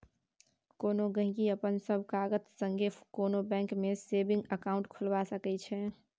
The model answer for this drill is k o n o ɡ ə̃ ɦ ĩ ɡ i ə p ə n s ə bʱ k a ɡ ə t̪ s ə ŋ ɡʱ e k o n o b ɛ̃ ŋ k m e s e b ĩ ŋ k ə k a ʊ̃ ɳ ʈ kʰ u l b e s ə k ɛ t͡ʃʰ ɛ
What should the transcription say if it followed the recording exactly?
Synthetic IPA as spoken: k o n o ɡ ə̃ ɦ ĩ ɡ i ə p ə n s ə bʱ k a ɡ ə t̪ s ə ŋ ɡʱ e k o n o b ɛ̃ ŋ k m e s e b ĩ ŋ ɡ ə k a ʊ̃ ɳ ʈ kʰ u l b a s ə k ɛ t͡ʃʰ ɛ

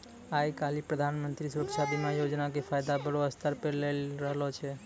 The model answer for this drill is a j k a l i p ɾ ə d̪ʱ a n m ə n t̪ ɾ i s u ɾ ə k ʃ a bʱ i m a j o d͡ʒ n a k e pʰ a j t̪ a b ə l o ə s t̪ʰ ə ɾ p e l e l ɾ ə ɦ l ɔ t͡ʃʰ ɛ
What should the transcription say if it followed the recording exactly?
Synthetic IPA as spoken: a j k a l i p ɾ ə d̪ʱ a n m ə n t̪ ɾ i s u ɾ ə k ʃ a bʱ i m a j o d͡ʒ n a k e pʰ a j d̪ a b ə ɽ o ə s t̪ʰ ə ɾ p e l e l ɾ ə ɦ l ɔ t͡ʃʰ ɛ

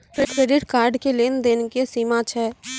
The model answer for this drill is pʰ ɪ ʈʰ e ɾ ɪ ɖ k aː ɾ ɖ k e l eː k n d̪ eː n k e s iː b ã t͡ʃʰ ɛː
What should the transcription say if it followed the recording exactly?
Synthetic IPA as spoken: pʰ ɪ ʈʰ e ɾ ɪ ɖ k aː ɾ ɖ k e l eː n d̪ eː n k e s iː m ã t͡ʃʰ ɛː

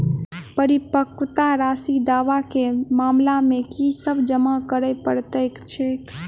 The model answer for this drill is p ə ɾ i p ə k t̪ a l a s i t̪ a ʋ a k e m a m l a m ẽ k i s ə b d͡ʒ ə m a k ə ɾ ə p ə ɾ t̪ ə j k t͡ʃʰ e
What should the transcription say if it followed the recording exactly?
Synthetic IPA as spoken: p ə ɾ i p ə k t̪ a ɾ a s i d̪ a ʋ a k e m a m l a m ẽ k i s ə b d͡ʒ ə m a k ə ɾ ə p ə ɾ t̪ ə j k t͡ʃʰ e

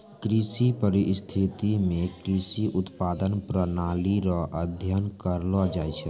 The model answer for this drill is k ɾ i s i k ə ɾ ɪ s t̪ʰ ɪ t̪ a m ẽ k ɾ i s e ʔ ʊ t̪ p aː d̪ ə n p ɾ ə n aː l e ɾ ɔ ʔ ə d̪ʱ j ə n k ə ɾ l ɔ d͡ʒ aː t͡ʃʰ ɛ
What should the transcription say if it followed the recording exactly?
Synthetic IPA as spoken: k ɾ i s i p ə ɾ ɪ s t̪ʰ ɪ t̪ i m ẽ k ɾ i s i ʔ ʊ t̪ p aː d̪ ə n p ɾ ə n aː l i ɾ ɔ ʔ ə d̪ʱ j ə n k ə ɾ l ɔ d͡ʒ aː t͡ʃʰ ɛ

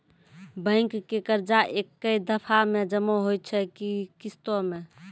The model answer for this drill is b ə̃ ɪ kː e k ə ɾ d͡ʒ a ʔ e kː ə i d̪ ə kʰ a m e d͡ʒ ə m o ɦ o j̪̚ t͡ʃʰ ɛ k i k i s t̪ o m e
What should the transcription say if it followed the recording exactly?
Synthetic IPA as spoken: b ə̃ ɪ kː e k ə ɾ d͡ʒ a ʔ e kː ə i d̪ ə pʰ a m e d͡ʒ ə m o ɦ o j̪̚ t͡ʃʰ ɛ k i k i s t̪ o m e

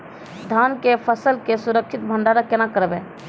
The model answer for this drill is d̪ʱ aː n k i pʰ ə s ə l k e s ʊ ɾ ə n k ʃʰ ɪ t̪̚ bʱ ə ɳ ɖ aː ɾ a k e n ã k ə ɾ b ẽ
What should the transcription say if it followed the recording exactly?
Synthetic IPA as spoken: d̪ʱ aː n k e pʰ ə s ə l k e s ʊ ɾ ə k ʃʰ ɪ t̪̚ bʱ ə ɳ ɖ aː ɾ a k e n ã k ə ɾ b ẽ

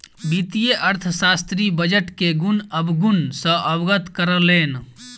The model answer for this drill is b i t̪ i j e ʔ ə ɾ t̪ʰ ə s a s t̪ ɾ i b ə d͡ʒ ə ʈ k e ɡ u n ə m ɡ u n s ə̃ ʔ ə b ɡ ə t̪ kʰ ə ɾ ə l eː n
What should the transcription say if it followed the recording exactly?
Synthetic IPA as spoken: b i t̪ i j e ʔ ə ɾ t̪ʰ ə s a s t̪ ɾ i b ə d͡ʒ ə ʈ k e ɡ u n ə b ɡ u n s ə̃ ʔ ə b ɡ ə t̪ k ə ɾ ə l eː n

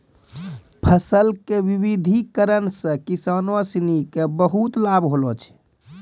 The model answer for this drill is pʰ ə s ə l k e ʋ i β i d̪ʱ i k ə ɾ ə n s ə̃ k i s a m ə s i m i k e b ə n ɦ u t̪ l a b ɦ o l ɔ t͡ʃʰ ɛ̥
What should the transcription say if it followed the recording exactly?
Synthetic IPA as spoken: pʰ ə s ə l k e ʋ i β i d̪ʱ i k ə ɾ ə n s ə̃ k i s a n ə s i n i k e b ə ɦ u t̪ l a b ɦ o l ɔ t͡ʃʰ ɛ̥

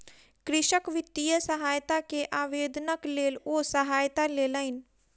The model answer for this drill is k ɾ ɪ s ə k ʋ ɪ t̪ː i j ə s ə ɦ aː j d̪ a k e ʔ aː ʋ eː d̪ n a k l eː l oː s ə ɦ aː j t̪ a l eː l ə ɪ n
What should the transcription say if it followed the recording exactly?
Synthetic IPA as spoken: k ɾ ɪ ʃ ə k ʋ ɪ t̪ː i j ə s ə ɦ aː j t̪ a k e ʔ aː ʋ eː d̪ n ə k l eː l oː s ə ɦ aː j t̪ a l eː l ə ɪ n

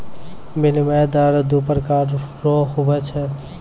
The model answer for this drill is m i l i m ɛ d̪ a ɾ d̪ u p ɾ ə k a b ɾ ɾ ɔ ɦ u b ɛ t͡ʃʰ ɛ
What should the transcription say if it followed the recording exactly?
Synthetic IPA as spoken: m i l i m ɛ d̪ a ɾ d̪ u p ɾ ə k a ɾ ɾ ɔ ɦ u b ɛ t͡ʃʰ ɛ

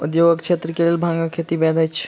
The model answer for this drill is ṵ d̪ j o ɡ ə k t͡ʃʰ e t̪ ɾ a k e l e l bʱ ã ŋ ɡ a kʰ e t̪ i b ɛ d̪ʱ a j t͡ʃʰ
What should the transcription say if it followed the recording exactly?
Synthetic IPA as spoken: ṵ d̪ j o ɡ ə k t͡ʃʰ e t̪ ɾ ə k e l e l bʱ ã ŋ ɡ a kʰ e t̪ i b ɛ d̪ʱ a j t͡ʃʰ

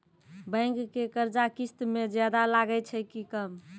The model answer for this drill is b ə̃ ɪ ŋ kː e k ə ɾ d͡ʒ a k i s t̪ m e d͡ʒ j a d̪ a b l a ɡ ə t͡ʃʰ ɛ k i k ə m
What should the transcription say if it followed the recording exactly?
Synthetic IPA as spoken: b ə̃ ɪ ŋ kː e k ə ɾ d͡ʒ a k i s t̪ m e d͡ʒ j a d̪ a l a ɡ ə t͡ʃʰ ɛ k i k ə m

